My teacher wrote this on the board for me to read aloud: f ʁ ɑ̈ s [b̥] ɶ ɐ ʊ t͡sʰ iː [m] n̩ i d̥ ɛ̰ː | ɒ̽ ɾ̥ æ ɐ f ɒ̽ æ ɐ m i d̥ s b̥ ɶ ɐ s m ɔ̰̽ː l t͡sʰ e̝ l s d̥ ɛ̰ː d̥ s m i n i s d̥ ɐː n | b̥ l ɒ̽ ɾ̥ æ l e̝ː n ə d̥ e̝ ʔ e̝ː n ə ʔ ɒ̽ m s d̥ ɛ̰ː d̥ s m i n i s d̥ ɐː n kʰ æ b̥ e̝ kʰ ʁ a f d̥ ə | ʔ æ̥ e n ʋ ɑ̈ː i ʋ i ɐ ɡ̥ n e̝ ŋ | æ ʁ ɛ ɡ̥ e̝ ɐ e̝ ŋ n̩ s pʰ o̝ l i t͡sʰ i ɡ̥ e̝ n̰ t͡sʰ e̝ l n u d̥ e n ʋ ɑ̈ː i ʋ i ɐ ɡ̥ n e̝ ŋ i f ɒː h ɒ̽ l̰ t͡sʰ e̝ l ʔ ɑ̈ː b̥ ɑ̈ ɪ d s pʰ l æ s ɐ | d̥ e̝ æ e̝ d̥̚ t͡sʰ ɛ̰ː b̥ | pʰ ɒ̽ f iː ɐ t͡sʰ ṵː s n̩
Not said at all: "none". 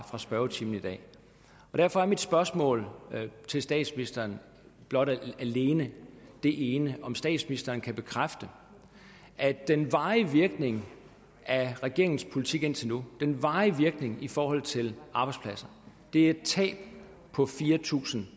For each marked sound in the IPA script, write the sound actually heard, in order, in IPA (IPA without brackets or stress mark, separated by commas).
b̥, m